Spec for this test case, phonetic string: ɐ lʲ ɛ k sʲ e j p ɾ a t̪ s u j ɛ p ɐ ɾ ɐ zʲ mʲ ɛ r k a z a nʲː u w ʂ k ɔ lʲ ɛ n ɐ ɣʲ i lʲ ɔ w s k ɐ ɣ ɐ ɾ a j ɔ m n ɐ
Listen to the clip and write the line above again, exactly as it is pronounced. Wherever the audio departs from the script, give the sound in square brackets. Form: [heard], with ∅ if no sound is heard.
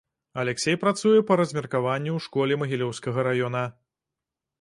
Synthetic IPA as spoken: ɐ lʲ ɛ k sʲ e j p ɾ a t̪ s u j ɛ p ɐ ɾ ɐ zʲ mʲ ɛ r k a [v] a nʲː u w ʂ k ɔ lʲ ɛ [m] ɐ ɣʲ i lʲ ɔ w s k ɐ ɣ ɐ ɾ a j ɔ [∅] n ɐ